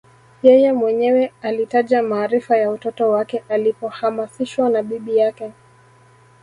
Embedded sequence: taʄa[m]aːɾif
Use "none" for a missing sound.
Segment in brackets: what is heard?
m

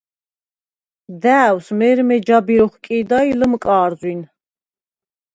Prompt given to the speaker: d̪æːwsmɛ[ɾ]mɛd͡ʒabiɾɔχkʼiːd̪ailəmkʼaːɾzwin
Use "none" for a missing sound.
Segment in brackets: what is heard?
ɾ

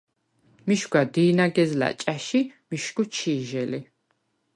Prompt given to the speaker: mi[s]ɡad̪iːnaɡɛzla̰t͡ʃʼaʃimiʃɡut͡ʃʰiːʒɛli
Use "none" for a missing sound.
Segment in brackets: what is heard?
ʃ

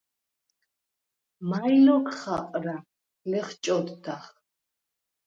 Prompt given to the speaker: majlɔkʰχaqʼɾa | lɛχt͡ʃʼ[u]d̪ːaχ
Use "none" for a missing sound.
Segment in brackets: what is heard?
ɔ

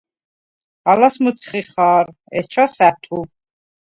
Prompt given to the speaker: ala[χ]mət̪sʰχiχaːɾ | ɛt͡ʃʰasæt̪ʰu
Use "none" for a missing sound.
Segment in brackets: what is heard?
s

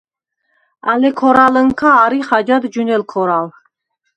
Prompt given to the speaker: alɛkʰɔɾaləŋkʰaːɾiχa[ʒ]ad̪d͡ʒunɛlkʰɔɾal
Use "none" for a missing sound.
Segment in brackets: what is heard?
d͡ʒ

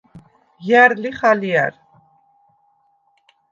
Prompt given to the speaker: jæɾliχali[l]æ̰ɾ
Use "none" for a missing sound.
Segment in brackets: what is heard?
none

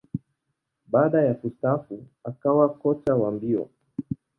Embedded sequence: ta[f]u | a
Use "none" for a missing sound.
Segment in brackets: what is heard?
f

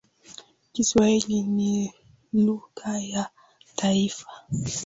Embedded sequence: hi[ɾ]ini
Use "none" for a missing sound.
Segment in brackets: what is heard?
l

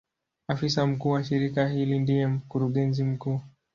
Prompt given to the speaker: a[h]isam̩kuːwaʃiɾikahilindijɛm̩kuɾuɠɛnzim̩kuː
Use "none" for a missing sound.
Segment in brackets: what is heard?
f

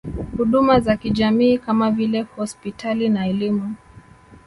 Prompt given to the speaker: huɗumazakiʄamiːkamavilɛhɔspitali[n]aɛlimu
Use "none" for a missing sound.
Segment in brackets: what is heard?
n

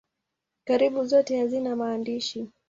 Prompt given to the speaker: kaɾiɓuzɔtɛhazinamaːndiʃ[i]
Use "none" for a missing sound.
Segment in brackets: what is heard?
i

